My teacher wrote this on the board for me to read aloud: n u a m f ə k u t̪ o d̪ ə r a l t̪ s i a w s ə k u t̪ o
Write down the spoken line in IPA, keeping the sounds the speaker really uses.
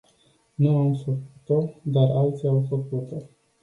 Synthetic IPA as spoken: n u a m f ə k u t̪ o d̪ a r a l t̪ s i a w f ə k u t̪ o